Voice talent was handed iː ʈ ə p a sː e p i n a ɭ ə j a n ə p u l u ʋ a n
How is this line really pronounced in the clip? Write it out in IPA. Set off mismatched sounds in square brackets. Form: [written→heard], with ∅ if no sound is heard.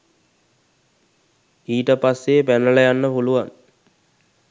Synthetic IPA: iː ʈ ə p a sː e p [i→æ] n [a→ə] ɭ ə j a [n→nː] ə p u l u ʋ a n